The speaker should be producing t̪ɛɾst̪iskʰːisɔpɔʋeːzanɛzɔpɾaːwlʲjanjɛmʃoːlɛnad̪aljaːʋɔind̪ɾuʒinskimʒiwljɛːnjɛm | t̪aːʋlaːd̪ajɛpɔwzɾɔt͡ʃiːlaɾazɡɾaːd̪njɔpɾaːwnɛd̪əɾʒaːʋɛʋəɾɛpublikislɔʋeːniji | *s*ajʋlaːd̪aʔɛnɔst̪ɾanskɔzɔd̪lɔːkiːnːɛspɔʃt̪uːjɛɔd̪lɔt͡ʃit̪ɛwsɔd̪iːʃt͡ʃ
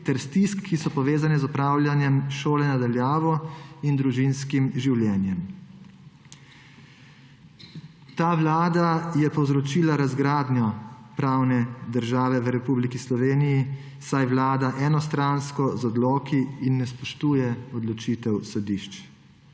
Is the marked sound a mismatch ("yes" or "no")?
no